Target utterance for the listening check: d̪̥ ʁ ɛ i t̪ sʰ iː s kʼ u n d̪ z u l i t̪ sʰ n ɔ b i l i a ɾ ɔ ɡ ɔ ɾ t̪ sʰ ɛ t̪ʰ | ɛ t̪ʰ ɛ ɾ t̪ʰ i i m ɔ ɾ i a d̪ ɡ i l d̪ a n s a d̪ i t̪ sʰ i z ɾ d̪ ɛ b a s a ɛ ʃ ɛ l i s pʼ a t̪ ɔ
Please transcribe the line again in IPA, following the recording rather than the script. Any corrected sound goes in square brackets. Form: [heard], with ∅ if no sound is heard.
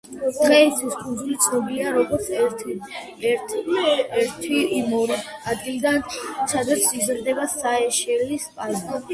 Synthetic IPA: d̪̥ ʁ ɛ i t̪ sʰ [i] s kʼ u n d̪ z u l i t̪ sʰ n ɔ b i l i a ɾ ɔ ɡ ɔ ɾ t̪ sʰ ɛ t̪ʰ | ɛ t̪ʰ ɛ ɾ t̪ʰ i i m ɔ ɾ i a d̪ ɡ i l d̪ a n s a d̪ [a] t̪ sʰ i z ɾ d̪ ɛ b a s a ɛ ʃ ɛ l i s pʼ a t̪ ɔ